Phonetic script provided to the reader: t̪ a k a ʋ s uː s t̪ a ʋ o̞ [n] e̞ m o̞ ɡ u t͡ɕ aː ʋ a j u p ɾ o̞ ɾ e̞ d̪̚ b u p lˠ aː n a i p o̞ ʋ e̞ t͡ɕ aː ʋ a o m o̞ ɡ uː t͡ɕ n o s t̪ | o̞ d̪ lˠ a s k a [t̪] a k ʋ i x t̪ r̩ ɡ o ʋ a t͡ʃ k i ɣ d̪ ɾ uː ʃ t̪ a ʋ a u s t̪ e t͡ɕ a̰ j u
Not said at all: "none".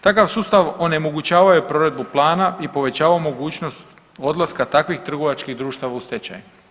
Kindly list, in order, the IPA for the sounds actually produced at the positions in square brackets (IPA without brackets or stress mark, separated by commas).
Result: n, t̪